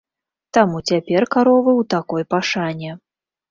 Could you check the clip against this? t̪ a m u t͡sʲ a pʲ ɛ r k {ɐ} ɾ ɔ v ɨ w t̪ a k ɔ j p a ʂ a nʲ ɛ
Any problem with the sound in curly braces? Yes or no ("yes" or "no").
yes